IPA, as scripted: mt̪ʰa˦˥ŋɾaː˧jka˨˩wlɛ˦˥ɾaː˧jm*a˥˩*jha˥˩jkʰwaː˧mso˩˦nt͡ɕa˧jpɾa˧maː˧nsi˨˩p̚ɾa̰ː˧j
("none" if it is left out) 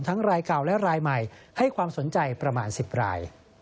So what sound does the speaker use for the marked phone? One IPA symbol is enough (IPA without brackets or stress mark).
a˨˩